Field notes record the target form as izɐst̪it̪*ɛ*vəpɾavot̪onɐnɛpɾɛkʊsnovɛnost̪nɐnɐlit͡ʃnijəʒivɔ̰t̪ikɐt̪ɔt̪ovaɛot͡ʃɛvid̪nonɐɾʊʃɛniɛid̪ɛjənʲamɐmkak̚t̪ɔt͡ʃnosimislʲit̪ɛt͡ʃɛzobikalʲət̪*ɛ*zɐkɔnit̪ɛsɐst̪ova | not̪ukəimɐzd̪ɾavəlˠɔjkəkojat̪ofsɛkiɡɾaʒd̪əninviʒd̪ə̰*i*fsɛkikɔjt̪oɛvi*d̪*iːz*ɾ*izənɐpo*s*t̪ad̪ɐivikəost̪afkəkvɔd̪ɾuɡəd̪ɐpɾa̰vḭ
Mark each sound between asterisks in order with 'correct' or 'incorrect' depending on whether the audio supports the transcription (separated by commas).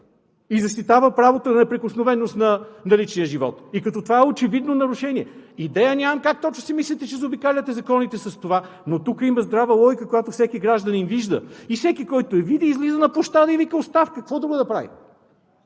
incorrect, correct, correct, correct, incorrect, incorrect